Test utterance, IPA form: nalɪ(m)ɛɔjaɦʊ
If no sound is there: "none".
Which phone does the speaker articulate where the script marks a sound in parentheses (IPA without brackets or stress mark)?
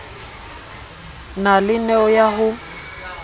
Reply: n